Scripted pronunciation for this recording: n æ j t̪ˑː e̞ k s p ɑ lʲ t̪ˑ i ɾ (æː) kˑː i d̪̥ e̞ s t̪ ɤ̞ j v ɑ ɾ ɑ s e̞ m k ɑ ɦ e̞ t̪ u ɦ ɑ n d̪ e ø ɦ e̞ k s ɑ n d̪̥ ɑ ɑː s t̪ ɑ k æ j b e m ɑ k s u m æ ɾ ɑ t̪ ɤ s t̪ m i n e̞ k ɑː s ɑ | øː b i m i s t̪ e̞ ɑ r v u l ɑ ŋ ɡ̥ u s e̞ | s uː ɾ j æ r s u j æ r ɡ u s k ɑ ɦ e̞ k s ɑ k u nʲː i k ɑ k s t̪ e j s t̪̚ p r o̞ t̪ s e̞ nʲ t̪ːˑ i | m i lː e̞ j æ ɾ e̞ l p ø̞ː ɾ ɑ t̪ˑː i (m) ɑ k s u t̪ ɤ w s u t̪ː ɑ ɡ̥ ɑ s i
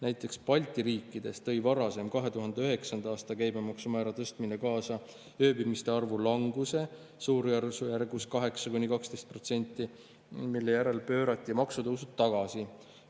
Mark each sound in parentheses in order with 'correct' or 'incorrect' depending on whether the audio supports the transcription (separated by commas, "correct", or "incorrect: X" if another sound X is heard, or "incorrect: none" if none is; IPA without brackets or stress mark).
incorrect: iː, correct